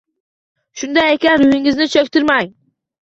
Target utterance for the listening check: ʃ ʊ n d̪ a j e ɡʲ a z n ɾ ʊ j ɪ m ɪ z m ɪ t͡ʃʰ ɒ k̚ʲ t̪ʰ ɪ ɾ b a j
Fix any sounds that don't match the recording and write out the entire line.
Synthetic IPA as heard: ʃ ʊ n d̪ a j e kʲ a n ɾ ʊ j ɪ ŋ ɪ z n ɪ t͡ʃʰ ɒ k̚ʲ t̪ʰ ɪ ɾ m a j